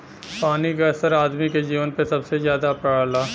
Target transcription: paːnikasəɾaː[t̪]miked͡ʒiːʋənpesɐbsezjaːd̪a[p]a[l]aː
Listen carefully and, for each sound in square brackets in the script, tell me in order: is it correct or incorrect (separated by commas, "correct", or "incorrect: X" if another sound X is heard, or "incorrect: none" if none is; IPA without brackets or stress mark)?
incorrect: d̪, correct, correct